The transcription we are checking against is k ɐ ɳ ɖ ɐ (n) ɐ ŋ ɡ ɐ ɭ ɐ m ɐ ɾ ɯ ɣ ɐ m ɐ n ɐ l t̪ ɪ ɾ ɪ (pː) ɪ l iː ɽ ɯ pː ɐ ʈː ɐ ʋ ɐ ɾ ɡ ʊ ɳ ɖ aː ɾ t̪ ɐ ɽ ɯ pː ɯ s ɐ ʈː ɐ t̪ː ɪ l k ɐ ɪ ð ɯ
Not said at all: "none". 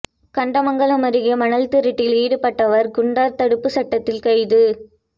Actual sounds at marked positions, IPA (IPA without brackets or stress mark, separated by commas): m, ʈː